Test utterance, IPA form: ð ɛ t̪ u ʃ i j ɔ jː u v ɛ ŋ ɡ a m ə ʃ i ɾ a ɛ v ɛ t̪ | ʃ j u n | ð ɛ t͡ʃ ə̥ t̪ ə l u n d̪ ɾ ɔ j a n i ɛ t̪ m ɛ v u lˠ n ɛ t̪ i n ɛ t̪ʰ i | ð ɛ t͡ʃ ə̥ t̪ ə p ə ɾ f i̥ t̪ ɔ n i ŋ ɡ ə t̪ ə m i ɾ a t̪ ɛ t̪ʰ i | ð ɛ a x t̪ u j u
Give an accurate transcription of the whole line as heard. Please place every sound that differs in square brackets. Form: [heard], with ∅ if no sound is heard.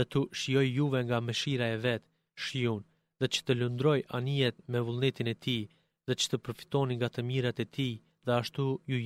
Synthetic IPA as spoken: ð ɛ t̪ u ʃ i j ɔ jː u v ɛ ŋ ɡ a m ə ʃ i ɾ a ɛ v ɛ t̪ | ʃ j u n | ð ɛ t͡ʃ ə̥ t̪ ə l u n d̪ ɾ ɔ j a n i ɛ t̪ m ɛ v u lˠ n ɛ t̪ i n ɛ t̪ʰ i | ð ɛ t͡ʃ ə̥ t̪ ə p ə ɾ f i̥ t̪ ɔ n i ŋ ɡ [a] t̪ ə m i ɾ a t̪ ɛ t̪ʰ i | ð ɛ a [ʃ] t̪ u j u